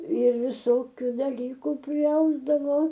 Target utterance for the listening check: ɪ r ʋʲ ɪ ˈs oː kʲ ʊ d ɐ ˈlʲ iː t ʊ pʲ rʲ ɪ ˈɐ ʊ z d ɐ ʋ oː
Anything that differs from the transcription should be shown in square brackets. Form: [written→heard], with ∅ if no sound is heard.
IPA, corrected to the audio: ɪ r ʋʲ ɪ ˈs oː kʲ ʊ d ɐ ˈlʲ iː [t→k] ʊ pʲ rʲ ɪ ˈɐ ʊ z d ɐ ʋ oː